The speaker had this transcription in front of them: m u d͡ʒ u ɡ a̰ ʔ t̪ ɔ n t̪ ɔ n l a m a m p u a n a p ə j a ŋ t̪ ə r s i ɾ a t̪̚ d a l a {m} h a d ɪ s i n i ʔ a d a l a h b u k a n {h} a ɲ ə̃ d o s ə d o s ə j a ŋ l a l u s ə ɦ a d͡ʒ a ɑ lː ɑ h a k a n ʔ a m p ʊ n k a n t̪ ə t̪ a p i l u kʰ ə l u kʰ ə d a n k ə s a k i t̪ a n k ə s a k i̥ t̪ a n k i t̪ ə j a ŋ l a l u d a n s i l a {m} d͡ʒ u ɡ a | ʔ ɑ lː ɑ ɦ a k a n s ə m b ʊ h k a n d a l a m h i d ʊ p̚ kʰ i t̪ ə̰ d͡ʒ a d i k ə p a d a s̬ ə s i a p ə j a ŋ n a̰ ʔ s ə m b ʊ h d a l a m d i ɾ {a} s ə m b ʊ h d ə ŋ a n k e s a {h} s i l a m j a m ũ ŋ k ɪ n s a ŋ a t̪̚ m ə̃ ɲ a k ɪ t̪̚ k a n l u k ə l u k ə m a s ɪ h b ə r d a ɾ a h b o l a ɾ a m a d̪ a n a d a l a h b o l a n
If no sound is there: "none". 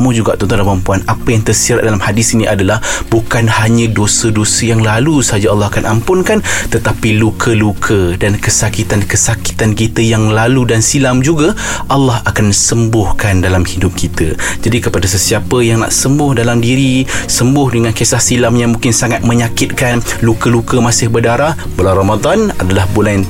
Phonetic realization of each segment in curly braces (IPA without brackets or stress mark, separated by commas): m, h, m, i, h